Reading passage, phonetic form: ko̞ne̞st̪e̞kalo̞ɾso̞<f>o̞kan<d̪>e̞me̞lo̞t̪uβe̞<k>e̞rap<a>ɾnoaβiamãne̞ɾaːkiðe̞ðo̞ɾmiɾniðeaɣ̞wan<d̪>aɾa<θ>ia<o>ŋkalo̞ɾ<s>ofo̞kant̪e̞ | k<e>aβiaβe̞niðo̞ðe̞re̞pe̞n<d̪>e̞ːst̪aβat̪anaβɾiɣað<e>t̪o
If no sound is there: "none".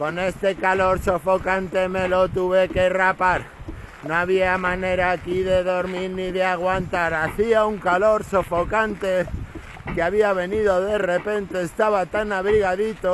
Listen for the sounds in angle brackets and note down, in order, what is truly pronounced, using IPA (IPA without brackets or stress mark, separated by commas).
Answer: f, t̪, k, a, t̪, θ, u, s, e, t̪, i